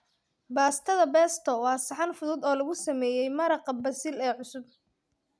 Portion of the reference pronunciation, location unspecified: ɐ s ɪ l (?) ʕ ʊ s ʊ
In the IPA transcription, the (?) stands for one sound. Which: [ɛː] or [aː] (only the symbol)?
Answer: ɛː